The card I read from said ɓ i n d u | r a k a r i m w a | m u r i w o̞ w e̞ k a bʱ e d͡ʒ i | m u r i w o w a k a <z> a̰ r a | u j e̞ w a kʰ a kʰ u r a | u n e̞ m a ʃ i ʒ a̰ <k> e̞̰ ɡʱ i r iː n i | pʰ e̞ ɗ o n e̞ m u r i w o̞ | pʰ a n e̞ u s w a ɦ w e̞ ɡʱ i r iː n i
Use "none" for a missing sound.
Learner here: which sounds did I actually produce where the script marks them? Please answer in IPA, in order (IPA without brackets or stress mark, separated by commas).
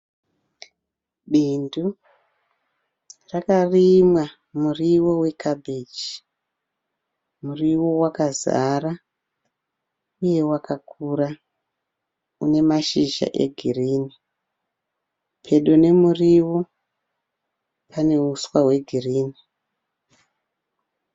z, ʔ